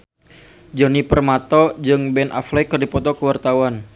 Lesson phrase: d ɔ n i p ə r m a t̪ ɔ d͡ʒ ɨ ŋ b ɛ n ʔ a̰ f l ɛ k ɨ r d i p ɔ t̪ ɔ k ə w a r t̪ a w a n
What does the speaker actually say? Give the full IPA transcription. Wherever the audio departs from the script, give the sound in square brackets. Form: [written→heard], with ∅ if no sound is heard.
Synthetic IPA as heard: [d→d͡ʒ] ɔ n i p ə r m a t̪ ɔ d͡ʒ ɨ ŋ b ɛ n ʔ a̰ f l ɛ k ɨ r d i p ɔ t̪ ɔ k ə w a r t̪ a w a n